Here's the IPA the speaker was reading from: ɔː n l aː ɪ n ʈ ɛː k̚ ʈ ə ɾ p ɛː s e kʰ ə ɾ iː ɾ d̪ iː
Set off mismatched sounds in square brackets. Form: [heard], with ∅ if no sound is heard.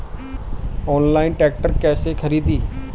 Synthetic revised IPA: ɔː n l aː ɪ n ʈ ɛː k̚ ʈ ə ɾ [k] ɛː s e kʰ ə ɾ iː [∅] d̪ iː